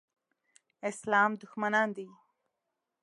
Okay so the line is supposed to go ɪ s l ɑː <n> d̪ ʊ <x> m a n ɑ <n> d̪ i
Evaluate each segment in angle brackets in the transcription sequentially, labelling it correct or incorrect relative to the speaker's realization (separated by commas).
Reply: incorrect, correct, correct